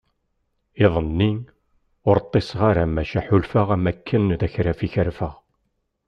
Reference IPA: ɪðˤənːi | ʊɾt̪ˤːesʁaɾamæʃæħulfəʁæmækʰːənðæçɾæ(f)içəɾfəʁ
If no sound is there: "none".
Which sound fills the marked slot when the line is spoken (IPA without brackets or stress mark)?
f